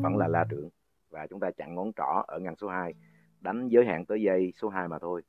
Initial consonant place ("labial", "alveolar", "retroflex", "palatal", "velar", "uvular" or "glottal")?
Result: labial